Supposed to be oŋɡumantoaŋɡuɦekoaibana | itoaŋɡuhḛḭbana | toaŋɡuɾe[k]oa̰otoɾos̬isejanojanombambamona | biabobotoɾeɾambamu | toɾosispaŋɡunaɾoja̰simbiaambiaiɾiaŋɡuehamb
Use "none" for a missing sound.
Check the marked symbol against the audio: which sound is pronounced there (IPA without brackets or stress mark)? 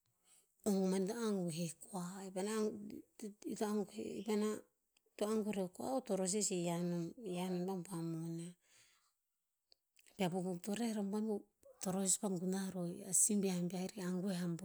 k